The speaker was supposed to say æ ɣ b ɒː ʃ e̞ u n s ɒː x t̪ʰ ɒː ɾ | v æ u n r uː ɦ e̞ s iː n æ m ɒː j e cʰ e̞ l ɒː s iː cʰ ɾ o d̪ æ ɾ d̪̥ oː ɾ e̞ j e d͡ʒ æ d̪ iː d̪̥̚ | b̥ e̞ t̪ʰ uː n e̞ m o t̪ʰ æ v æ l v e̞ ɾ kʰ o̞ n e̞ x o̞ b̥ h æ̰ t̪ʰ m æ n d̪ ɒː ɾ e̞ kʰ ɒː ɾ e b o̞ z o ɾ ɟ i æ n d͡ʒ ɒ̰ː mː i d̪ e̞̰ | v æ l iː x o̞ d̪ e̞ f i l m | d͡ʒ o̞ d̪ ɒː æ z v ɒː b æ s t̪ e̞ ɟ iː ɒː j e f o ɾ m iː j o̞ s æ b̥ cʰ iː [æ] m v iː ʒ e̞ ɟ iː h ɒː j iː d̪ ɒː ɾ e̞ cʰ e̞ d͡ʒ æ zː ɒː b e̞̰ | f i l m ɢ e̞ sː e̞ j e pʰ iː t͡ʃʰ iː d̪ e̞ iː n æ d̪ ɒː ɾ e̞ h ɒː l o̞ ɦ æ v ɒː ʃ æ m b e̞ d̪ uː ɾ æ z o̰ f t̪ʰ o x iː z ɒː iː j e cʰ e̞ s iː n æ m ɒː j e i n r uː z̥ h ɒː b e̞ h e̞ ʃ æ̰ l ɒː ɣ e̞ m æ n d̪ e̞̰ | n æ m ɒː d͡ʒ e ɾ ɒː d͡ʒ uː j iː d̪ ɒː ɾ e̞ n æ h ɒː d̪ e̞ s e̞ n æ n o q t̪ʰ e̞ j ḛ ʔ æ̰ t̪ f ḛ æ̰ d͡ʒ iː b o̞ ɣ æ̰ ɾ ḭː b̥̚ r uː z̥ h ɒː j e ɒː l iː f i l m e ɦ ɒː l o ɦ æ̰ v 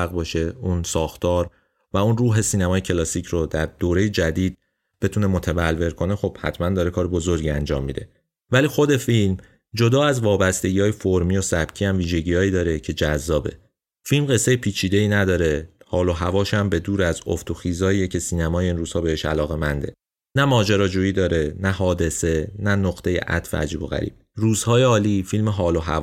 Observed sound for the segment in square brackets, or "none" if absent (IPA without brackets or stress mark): æ